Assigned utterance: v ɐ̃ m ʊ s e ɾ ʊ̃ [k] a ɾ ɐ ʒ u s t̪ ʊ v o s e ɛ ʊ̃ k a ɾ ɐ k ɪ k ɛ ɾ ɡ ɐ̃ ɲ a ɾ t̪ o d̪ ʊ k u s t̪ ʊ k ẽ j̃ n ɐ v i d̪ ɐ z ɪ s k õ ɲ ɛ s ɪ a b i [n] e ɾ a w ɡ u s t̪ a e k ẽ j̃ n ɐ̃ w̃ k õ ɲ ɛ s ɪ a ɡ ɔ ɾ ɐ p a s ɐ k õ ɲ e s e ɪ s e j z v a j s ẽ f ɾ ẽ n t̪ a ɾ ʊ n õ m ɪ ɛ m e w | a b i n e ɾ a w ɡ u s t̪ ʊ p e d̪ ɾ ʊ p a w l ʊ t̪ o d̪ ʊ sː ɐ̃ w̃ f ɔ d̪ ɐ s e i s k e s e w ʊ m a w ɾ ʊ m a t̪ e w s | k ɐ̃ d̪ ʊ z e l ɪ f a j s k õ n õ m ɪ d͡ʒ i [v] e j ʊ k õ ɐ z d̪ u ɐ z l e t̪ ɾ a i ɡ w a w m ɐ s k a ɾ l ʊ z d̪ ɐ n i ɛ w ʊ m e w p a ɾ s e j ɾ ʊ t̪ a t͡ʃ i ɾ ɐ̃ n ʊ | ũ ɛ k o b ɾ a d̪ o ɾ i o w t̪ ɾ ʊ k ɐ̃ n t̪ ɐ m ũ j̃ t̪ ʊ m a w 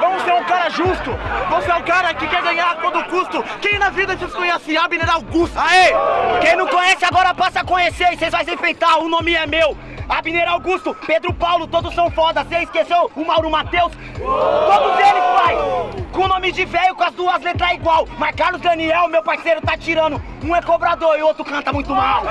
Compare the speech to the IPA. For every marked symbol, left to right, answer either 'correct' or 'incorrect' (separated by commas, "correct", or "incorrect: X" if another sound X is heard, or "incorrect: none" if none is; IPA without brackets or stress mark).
correct, correct, correct